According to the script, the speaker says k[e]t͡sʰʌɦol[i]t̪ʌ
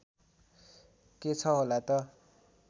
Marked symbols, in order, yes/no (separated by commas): yes, no